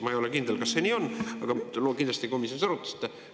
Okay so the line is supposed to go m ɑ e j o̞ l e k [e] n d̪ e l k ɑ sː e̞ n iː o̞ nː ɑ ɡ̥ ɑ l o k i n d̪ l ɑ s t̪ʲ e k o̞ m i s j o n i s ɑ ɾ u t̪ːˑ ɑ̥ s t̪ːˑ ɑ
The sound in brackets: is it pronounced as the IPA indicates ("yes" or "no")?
no